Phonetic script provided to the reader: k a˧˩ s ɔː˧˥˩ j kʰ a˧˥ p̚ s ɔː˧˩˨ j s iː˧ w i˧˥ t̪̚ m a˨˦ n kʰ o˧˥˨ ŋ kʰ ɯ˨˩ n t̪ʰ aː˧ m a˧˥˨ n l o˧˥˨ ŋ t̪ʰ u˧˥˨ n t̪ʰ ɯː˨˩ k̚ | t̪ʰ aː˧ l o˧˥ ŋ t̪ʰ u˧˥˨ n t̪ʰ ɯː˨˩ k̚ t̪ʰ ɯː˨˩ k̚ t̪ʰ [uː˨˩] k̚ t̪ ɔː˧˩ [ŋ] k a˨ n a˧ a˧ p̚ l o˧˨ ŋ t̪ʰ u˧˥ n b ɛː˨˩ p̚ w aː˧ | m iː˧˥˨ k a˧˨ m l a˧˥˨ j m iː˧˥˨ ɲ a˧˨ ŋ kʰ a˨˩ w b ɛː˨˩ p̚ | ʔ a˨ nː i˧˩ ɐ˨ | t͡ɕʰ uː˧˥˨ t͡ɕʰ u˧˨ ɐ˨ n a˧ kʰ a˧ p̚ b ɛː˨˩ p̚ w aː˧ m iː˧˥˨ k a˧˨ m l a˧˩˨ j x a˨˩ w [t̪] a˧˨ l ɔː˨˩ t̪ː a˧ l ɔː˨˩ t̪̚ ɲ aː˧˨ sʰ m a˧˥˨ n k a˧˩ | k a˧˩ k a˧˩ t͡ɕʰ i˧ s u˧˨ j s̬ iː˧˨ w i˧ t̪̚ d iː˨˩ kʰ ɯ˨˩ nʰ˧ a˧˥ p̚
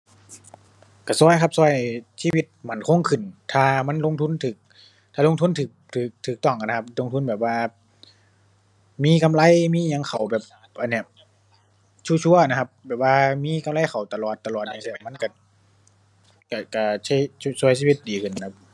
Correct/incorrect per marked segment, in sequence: incorrect: ɯː˨˩, correct, correct

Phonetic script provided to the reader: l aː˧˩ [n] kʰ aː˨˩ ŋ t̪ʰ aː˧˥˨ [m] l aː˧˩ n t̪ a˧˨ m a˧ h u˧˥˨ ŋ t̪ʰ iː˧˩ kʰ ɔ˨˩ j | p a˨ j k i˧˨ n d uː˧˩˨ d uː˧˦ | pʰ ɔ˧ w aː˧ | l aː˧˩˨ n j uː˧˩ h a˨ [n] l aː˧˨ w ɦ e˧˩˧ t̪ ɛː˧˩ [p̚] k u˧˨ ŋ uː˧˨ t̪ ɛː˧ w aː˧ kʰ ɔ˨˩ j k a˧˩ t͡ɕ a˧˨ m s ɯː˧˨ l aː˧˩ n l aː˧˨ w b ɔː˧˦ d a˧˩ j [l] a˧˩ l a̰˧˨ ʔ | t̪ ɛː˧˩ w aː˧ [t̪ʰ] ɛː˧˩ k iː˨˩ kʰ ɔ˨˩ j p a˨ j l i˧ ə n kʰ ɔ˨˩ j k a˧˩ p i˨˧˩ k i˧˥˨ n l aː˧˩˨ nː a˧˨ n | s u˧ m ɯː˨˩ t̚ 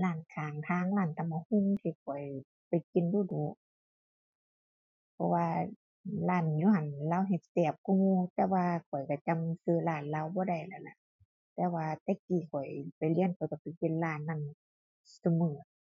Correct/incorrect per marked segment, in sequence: correct, incorrect: ŋ, correct, correct, correct, incorrect: t̪

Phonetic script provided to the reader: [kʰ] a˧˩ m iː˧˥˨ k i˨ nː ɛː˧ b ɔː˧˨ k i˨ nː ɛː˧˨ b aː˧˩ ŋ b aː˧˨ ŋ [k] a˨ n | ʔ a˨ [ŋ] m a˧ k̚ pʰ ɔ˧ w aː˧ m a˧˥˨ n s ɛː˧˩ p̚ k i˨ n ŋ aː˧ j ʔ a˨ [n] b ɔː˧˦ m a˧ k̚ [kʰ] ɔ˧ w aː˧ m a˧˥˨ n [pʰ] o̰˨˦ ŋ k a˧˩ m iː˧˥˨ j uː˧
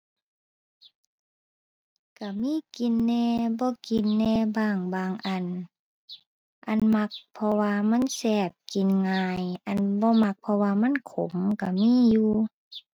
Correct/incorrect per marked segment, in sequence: incorrect: k, incorrect: ʔ, incorrect: n, correct, incorrect: pʰ, incorrect: kʰ

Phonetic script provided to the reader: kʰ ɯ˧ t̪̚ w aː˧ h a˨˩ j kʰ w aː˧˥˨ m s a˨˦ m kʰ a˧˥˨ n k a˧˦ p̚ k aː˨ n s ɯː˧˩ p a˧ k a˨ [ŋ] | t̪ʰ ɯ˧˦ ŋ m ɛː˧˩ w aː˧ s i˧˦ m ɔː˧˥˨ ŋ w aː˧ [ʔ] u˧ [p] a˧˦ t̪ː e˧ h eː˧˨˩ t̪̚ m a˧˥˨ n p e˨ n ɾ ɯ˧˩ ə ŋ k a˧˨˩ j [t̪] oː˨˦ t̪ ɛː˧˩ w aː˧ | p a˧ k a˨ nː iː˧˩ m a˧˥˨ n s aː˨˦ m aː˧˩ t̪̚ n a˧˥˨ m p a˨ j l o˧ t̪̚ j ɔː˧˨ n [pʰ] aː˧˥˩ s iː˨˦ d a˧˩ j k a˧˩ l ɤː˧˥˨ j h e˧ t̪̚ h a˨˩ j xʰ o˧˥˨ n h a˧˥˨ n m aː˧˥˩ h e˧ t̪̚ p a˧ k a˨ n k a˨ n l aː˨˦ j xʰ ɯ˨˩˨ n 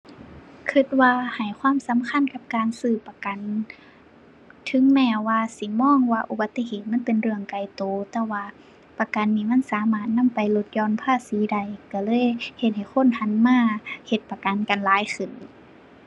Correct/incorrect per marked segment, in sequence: incorrect: n, correct, incorrect: b, correct, correct

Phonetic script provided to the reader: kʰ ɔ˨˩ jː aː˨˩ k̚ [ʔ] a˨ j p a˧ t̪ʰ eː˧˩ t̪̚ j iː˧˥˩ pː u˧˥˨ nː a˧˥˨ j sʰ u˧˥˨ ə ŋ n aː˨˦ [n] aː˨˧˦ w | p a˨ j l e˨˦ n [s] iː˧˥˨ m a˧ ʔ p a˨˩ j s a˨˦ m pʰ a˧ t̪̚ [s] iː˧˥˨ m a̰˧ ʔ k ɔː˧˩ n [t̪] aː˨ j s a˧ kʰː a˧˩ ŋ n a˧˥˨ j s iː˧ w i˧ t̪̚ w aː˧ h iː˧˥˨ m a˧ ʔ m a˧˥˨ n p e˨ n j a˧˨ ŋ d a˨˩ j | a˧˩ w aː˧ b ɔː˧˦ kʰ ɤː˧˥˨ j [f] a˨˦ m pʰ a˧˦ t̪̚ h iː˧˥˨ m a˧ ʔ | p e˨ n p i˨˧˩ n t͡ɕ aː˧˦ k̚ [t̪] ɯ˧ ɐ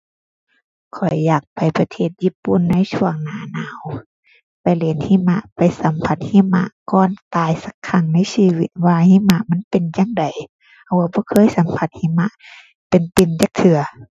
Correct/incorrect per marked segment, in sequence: incorrect: p, correct, incorrect: h, incorrect: h, correct, incorrect: s, incorrect: t̪ʰ

